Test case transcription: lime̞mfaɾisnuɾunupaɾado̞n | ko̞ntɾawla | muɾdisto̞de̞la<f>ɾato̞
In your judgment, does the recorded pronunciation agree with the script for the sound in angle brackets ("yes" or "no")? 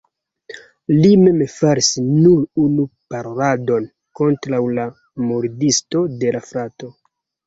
yes